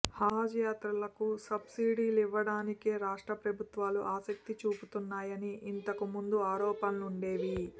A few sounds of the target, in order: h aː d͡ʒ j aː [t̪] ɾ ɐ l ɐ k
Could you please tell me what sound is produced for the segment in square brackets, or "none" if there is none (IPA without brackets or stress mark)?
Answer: t̪